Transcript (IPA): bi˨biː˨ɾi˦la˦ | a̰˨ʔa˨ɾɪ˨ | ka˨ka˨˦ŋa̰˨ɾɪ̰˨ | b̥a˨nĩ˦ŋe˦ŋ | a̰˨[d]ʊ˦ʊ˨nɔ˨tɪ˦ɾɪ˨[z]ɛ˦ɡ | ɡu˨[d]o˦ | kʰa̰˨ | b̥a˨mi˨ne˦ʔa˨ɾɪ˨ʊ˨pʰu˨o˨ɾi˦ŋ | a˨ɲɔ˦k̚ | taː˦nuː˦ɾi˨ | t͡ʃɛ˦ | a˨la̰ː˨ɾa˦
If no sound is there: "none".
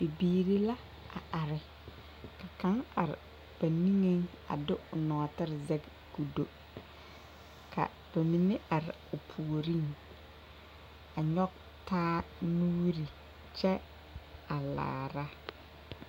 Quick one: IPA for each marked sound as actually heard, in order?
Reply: d, z, d

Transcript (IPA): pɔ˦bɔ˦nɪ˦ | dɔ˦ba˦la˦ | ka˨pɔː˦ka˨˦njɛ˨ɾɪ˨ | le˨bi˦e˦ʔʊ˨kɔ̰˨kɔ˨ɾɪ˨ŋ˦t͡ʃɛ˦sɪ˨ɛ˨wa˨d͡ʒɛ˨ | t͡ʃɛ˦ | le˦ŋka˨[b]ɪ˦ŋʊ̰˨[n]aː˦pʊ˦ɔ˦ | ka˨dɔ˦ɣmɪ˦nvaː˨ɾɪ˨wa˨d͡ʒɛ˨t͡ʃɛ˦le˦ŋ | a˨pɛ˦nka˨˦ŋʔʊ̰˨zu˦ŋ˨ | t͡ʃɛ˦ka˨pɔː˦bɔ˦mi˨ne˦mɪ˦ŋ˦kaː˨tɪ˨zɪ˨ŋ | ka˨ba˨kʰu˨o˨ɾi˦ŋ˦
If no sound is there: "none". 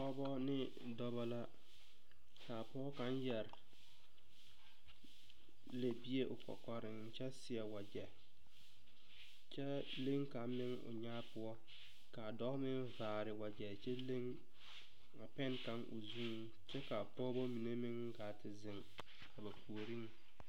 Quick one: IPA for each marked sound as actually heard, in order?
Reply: m, ɲ

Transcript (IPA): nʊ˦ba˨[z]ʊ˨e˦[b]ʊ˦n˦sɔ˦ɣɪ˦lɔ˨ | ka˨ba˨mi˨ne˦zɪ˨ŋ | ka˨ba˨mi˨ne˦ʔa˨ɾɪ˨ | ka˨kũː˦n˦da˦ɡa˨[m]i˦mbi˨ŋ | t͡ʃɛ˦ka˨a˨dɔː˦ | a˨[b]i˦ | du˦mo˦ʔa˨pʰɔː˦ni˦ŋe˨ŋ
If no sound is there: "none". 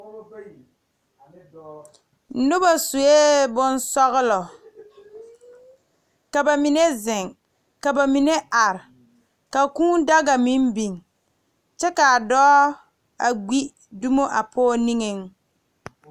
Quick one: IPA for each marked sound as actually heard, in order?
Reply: s, b, m, ɡ͡b

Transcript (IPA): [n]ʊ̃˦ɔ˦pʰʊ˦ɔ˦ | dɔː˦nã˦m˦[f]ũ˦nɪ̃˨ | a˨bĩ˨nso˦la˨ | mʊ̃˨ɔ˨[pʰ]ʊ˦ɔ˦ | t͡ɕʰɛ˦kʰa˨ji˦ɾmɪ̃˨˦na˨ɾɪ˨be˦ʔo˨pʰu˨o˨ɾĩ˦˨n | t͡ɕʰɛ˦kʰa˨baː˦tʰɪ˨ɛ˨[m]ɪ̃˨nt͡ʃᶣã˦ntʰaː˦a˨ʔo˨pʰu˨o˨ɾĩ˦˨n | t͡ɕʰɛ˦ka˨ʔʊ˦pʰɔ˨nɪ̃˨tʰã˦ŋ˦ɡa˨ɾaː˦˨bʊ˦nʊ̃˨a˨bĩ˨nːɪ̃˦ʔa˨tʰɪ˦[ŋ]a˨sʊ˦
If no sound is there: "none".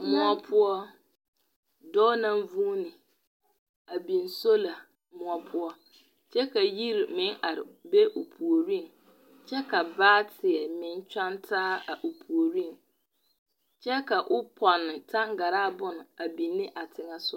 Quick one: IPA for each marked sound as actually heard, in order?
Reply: m, v, pʰ, m, ŋ

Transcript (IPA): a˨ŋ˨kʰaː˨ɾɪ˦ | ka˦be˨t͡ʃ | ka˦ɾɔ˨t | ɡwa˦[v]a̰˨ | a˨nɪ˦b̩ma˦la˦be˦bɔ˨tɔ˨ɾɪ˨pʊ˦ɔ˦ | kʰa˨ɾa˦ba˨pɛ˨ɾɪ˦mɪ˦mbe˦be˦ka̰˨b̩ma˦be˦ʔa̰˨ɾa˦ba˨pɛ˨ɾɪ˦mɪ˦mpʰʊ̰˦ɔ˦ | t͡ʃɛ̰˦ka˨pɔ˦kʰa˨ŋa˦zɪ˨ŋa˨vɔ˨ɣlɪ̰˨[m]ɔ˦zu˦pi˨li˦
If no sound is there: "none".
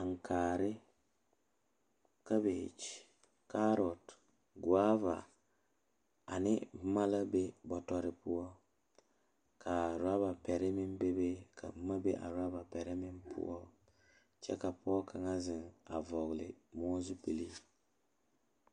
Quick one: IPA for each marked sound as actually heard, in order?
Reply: v, m

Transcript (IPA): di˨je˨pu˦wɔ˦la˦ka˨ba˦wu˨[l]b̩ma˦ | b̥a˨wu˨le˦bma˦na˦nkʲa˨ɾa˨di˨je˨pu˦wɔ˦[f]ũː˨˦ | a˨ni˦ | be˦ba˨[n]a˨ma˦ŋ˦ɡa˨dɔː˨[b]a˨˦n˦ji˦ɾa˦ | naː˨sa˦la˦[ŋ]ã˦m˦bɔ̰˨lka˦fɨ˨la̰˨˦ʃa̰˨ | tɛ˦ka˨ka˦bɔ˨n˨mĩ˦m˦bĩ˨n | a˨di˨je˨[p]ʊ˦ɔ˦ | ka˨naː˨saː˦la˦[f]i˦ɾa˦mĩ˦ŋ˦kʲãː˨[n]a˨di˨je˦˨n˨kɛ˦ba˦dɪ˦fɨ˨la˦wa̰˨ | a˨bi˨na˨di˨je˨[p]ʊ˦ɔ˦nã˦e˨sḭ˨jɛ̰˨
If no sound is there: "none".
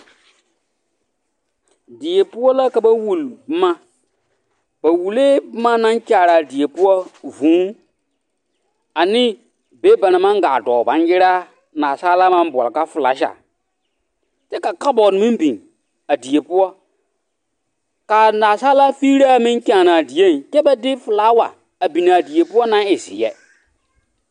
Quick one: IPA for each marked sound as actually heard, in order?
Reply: l, v, n, b, m, p, f, n, p

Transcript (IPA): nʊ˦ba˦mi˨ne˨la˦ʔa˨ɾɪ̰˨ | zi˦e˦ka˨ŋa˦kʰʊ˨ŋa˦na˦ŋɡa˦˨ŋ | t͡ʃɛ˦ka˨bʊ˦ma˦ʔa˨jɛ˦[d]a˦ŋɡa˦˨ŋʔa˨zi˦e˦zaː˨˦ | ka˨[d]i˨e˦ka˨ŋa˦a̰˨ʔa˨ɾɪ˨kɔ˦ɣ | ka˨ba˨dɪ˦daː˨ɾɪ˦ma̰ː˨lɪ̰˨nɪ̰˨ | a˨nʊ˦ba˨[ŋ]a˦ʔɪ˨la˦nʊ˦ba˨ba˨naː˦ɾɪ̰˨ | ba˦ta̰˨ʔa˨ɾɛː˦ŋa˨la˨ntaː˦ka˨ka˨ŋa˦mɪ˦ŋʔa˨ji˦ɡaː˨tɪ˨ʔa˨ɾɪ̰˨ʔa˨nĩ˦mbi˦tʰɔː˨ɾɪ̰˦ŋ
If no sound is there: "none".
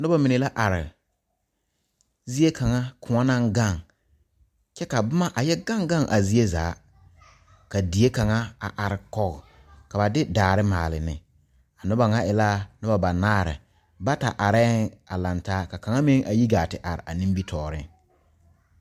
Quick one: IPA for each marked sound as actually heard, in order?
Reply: ɡ, d, ŋ

